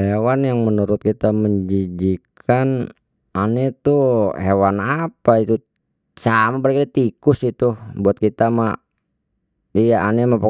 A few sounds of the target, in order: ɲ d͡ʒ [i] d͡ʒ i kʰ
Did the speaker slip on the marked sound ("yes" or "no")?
no